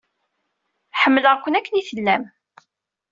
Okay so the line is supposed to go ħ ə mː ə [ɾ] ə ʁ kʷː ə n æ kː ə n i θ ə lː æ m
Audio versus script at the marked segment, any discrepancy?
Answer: yes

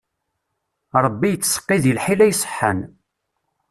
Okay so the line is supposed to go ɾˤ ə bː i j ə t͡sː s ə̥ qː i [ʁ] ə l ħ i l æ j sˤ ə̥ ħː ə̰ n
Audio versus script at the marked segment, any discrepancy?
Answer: yes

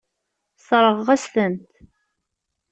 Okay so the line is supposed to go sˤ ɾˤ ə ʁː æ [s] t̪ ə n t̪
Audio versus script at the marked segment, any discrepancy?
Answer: no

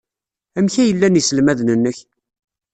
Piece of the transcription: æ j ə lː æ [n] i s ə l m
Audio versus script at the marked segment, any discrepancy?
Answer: no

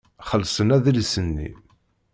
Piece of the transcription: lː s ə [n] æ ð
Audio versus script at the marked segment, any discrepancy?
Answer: no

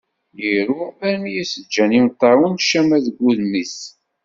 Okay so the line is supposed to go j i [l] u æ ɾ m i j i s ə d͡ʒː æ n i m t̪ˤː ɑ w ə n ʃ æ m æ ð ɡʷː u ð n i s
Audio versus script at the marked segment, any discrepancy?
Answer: yes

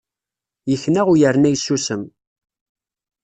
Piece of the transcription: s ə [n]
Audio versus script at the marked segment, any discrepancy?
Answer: yes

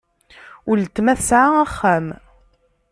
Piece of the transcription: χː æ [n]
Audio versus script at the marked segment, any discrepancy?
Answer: yes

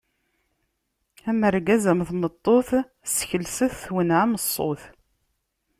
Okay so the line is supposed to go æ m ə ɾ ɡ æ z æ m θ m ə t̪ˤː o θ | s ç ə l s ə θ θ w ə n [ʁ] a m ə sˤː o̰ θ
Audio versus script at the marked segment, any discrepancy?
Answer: yes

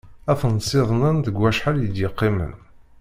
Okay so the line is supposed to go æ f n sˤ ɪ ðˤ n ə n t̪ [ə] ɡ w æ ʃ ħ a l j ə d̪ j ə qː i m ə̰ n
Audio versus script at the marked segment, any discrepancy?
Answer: no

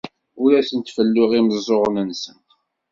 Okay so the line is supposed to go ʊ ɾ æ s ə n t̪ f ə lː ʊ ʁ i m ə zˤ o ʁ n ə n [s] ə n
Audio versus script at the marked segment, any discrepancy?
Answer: no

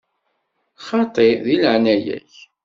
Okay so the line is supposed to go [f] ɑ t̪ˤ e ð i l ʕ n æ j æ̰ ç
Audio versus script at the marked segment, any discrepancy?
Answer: yes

